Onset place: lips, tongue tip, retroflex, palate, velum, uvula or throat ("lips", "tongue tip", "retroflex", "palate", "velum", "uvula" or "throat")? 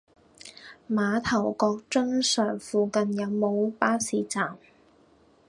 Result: lips